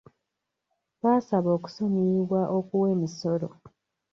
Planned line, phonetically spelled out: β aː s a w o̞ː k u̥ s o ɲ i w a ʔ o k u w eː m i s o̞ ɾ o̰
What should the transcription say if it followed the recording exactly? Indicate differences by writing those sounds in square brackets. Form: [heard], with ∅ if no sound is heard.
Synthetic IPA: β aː s a [β] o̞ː k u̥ s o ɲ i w a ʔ o k u w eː m i s o̞ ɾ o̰